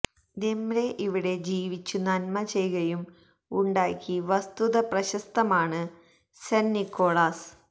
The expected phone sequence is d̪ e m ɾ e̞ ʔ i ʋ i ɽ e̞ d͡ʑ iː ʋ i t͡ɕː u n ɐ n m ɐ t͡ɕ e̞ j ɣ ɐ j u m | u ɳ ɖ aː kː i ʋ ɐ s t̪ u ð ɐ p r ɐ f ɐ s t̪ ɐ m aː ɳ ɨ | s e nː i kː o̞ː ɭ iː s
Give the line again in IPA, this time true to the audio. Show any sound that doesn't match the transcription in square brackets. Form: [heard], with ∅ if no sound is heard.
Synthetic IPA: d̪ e m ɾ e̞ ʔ i ʋ i ɽ e̞ d͡ʑ iː ʋ i t͡ɕː u n ɐ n m ɐ t͡ɕ e̞ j ɣ ɐ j u m | u ɳ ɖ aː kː i ʋ ɐ s t̪ u ð ɐ p r ɐ [ɕ] ɐ s t̪ ɐ m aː ɳ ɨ | s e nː i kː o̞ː ɭ [aː] s

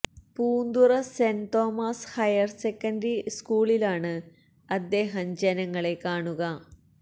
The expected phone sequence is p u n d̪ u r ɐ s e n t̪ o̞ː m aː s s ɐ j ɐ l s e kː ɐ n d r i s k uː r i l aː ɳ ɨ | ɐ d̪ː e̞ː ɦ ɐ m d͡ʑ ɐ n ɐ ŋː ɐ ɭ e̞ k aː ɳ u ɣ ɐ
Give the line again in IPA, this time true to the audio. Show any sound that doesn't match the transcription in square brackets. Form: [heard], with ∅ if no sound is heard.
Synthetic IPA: p [uː] n d̪ u r ɐ s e n t̪ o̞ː m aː s [h] ɐ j ɐ [r] s e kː ɐ n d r i s k uː [ɭ] i l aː ɳ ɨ | ɐ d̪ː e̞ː ɦ ɐ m d͡ʑ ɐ n ɐ ŋː ɐ ɭ e̞ k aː ɳ u ɣ ɐ

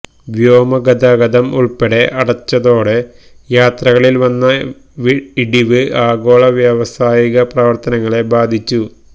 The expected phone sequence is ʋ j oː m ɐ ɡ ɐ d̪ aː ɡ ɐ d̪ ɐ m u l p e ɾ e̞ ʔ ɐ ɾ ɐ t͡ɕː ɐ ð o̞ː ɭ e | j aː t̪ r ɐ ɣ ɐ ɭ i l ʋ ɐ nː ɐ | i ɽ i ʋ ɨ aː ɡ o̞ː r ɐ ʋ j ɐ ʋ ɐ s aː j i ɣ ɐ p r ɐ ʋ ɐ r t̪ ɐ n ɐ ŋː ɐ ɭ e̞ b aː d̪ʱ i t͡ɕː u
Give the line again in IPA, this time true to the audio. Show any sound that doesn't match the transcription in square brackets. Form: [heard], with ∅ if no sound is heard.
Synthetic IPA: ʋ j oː m ɐ ɡ ɐ d̪ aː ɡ ɐ d̪ ɐ m u [ɭ] p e [ɽ] e̞ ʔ ɐ [ɽ] ɐ t͡ɕː ɐ ð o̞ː [ɽ] e | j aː t̪ r ɐ ɣ ɐ ɭ i l ʋ ɐ nː ɐ | i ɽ i ʋ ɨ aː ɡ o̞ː [ɭ] ɐ ʋ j ɐ ʋ ɐ s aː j i ɣ ɐ p r ɐ ʋ ɐ r t̪ ɐ n ɐ ŋː ɐ ɭ e̞ b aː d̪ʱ i t͡ɕː u

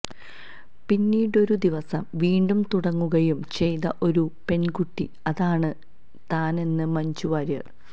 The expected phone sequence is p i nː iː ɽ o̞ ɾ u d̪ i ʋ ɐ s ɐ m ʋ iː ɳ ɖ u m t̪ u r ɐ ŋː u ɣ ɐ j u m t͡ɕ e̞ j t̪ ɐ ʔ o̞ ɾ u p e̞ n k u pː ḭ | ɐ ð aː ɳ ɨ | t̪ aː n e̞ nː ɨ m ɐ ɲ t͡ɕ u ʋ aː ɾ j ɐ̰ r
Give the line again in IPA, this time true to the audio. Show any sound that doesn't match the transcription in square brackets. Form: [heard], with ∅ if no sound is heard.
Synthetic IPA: p i nː iː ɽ o̞ ɾ u d̪ i ʋ ɐ s ɐ m ʋ iː ɳ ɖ u m t̪ u [ɽ] ɐ ŋː u ɣ ɐ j u m t͡ɕ e̞ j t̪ ɐ ʔ o̞ ɾ u p e̞ n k u [ʈː] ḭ | ɐ ð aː ɳ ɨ | t̪ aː n e̞ nː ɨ m ɐ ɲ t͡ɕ u ʋ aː ɾ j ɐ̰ r

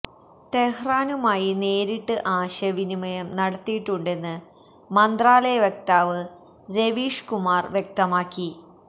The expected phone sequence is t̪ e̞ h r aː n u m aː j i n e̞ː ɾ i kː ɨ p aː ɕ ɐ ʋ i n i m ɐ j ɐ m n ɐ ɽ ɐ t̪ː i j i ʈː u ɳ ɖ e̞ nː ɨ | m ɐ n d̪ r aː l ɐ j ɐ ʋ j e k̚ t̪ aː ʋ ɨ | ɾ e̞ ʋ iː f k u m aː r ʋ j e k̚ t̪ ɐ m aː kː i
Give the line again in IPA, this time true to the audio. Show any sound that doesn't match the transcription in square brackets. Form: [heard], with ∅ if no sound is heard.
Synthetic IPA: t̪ e̞ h r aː n u m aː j i n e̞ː ɾ i [ʈː] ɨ [ʔ] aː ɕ ɐ ʋ i n i m ɐ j ɐ m n ɐ ɽ ɐ t̪ː i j i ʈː u ɳ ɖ e̞ nː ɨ | m ɐ n d̪ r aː l ɐ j ɐ ʋ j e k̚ t̪ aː ʋ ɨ | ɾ e̞ ʋ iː [ʂ] k u m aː r ʋ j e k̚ t̪ ɐ m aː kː i

